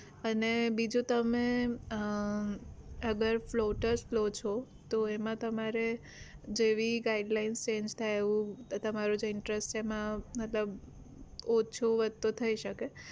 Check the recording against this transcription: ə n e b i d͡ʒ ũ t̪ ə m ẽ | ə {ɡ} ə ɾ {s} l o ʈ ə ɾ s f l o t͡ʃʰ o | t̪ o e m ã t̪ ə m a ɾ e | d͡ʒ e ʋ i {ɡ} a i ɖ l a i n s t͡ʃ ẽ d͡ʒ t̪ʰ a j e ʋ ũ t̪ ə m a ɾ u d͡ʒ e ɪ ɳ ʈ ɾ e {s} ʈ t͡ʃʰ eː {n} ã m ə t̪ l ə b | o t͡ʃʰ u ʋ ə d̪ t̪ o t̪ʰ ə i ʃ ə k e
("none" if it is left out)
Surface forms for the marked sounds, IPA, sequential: ɡ, f, ɡ, s, m

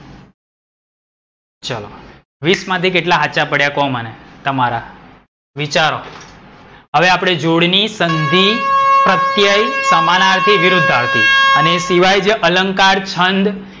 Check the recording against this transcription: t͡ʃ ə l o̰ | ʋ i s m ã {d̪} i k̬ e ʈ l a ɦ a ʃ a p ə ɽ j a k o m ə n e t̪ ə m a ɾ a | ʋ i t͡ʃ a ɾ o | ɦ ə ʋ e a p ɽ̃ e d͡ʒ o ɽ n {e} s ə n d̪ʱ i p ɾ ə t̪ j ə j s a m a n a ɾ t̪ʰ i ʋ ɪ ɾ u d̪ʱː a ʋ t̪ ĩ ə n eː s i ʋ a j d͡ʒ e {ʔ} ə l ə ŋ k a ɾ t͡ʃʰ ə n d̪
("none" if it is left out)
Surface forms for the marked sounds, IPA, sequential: t̪, i, ʔ

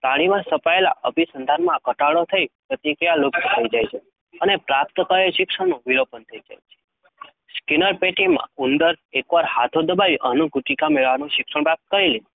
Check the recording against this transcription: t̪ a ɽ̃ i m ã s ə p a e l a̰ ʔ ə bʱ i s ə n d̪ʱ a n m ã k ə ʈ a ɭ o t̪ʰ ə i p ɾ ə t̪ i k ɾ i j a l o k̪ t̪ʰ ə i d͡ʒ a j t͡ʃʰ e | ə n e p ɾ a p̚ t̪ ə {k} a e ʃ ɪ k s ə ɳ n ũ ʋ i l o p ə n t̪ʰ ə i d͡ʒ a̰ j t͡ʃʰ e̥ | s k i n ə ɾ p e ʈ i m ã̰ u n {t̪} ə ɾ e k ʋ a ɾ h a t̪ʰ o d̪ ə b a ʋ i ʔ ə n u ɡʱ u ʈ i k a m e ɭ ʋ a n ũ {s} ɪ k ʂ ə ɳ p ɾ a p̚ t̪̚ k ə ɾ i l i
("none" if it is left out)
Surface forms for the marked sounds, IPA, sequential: k, d̪, ʃ

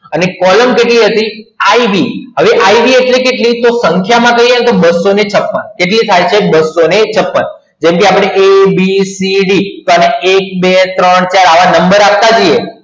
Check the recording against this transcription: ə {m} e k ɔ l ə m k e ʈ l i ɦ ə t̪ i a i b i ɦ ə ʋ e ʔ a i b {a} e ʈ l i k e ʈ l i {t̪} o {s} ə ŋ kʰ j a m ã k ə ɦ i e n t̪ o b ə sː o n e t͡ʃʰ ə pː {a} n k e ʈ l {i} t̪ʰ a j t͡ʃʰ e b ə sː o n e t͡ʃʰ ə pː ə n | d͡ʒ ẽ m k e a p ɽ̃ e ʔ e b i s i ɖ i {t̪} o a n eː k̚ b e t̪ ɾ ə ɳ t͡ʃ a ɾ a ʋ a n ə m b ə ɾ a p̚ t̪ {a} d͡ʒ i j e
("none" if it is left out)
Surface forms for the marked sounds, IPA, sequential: n, i, t̪, s, ə, i, t̪, a

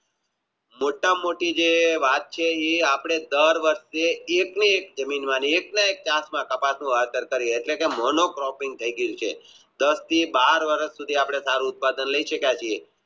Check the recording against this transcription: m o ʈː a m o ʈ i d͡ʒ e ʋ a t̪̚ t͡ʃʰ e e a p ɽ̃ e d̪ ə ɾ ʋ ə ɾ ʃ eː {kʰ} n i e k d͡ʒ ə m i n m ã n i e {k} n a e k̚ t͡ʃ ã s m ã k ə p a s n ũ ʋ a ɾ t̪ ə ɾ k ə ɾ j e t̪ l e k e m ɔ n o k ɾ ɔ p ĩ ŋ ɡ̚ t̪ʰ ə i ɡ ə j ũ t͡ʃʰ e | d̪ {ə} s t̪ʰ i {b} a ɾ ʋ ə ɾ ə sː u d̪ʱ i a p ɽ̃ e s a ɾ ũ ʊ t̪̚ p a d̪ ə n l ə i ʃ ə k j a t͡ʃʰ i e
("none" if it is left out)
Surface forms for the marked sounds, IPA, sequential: k, k, ə, b

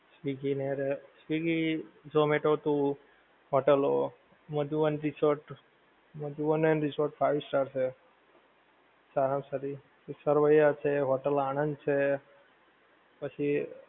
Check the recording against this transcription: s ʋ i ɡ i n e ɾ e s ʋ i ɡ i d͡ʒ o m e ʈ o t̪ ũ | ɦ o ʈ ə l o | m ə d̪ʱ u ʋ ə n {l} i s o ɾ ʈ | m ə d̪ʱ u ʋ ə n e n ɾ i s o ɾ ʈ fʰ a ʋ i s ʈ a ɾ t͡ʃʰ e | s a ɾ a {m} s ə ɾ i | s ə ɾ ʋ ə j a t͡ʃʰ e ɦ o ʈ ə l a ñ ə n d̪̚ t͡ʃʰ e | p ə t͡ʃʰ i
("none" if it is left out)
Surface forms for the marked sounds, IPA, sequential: ɾ, m

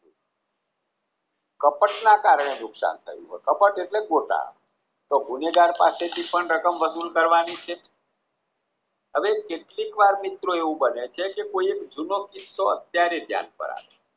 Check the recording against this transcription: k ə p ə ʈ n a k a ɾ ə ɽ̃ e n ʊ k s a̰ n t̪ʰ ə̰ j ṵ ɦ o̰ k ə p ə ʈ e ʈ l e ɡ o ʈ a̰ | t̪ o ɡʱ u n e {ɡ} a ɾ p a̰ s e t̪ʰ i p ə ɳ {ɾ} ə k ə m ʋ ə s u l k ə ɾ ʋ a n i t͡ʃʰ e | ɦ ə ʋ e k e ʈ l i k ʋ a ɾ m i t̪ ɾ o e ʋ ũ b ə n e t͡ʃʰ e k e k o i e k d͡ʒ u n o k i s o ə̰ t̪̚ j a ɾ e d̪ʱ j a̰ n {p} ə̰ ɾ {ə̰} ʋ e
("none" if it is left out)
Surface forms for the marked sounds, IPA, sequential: ɡ, ɾ, p, a̰

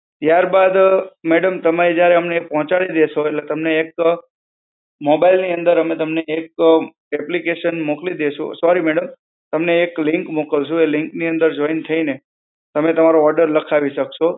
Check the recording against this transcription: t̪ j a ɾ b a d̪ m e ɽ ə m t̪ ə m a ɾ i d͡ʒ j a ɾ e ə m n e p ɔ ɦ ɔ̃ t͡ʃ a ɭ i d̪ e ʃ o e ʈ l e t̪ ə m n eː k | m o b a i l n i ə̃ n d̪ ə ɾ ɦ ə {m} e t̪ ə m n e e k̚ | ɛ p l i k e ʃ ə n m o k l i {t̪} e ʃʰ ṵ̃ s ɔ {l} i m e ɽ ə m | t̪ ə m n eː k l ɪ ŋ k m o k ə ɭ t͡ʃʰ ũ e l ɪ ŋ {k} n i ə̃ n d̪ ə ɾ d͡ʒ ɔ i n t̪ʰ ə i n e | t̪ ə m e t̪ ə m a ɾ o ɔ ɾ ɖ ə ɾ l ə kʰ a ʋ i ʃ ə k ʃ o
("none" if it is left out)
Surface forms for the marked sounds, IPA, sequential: m, d̪, ɾ, k

